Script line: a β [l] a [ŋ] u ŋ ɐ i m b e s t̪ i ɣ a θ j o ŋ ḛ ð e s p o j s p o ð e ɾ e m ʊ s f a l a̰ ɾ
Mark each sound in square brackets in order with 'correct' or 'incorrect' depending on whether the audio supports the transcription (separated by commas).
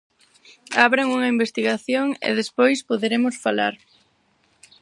incorrect, correct